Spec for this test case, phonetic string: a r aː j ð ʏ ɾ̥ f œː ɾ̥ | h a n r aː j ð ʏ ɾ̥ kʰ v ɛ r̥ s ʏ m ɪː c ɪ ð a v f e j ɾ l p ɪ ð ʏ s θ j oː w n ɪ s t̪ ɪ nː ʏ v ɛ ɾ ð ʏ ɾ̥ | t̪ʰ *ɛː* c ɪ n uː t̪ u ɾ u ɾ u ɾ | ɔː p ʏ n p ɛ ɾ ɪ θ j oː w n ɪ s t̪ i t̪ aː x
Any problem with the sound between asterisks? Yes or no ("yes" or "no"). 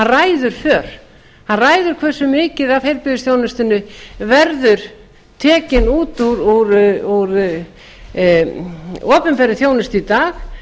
no